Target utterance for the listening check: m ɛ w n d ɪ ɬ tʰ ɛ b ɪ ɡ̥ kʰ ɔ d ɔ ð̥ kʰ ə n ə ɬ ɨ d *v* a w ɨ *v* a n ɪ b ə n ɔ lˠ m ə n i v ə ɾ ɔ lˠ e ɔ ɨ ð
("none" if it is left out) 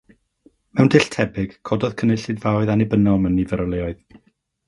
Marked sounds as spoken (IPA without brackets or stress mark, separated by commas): v, ð